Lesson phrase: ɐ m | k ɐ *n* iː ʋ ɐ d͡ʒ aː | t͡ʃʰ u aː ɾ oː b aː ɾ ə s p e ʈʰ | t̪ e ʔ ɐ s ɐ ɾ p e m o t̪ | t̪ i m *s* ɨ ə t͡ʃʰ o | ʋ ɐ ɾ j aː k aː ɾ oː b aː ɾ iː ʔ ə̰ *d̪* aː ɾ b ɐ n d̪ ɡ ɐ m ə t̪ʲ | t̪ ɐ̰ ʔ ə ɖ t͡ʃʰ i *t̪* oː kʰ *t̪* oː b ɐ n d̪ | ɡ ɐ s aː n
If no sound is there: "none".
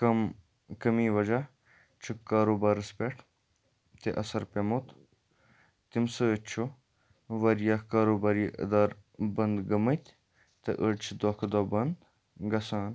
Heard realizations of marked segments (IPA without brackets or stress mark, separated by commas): m, s, d̪, d̪, d̪